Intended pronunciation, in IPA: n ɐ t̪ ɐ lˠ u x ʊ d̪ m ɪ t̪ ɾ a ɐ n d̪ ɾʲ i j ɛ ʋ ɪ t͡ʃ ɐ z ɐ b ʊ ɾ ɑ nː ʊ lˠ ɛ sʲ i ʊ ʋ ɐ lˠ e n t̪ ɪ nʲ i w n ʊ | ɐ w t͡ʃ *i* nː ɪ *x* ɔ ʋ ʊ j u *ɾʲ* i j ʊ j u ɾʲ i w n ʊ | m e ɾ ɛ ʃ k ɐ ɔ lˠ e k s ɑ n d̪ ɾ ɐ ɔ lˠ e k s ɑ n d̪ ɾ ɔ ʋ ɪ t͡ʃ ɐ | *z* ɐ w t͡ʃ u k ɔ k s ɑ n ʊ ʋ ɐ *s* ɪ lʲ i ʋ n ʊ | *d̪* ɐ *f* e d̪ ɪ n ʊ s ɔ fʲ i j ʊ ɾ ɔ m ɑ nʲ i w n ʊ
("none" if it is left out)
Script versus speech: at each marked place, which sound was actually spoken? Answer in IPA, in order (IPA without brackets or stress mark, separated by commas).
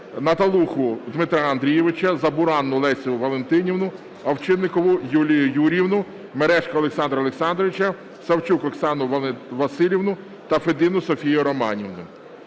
ɪ, k, lʲ, s, s, t̪, f